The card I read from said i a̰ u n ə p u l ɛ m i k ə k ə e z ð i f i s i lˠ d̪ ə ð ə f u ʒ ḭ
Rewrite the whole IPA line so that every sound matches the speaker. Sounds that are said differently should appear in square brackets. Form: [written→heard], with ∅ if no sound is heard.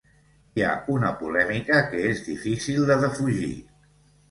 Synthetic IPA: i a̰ u n ə p u l ɛ m i k ə k ə e z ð i f i s i lˠ d̪ ə ð ə f u ʒ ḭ